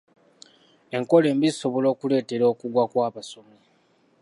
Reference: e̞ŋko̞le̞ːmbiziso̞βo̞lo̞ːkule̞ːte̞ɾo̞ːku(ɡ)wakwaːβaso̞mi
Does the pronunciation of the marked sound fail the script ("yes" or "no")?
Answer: no